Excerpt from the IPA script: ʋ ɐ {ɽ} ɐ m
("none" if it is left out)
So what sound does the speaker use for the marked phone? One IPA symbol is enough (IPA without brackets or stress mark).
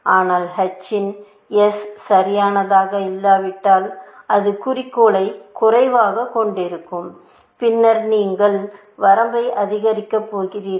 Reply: ɾ